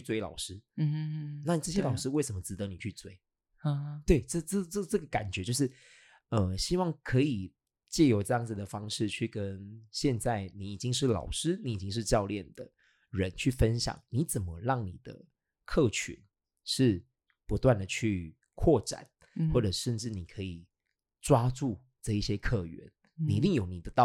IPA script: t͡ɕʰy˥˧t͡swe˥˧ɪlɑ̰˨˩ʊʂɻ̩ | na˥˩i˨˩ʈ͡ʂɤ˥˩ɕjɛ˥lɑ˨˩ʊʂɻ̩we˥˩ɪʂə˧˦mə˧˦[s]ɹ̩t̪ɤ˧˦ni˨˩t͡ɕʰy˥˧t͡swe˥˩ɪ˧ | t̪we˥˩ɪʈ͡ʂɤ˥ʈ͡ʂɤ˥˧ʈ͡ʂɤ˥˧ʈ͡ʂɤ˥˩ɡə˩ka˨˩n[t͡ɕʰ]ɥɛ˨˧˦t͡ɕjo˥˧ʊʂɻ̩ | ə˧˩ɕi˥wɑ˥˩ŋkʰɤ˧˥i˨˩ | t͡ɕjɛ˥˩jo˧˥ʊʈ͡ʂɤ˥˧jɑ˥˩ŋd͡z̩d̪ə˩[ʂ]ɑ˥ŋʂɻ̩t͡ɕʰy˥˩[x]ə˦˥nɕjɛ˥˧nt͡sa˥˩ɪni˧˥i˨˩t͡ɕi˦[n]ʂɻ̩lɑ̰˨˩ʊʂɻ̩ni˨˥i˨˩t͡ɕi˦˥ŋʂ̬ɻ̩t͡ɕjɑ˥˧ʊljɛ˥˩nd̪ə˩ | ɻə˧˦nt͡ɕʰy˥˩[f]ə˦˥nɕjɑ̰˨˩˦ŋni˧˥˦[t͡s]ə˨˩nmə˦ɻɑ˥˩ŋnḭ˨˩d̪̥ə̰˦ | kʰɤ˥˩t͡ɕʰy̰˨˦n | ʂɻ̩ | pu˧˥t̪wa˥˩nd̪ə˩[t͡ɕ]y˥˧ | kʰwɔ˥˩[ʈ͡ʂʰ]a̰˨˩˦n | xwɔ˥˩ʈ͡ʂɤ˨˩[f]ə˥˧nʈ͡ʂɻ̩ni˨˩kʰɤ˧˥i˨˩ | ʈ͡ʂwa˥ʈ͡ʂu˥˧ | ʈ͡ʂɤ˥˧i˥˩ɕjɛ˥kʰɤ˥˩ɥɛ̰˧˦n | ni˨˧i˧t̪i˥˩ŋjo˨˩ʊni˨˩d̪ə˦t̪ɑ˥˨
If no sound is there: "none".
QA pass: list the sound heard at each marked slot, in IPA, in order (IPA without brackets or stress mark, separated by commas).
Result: t͡s, t͡ɕ, f, k, ŋ, f, t͡s, t͡ɕʰ, ʈ͡ʂ, ʂ